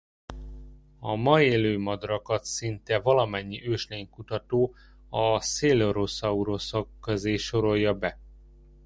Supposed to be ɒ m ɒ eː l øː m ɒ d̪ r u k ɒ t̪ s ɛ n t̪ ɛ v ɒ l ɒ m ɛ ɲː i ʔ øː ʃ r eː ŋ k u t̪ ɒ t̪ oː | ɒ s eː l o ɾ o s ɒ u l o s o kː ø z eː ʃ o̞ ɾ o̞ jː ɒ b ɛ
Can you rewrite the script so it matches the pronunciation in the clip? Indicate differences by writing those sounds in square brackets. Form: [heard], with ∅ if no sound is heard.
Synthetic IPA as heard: ɒ m ɒ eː l øː m ɒ d̪ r [ɒ] k ɒ t̪ s [i] n t̪ ɛ v ɒ l ɒ m ɛ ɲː i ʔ øː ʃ [l] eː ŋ k u t̪ ɒ t̪ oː | ɒ s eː l o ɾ o s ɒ u [ɾ] o s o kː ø z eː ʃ o̞ ɾ o̞ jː ɒ b ɛ